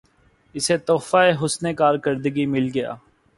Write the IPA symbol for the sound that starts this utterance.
ɪ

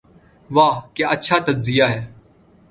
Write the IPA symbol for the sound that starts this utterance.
ʋ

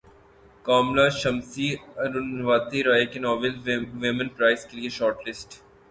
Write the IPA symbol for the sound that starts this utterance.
k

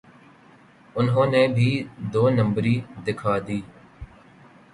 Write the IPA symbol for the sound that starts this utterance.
ʊ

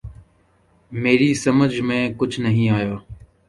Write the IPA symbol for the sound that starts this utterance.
m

